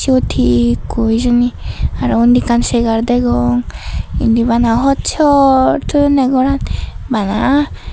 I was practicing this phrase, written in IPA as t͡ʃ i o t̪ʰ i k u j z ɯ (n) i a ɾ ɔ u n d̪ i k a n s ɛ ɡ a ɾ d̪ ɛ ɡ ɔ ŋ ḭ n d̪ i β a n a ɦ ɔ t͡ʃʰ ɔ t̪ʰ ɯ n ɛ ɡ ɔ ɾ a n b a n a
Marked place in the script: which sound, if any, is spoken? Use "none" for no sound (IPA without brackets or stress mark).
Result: n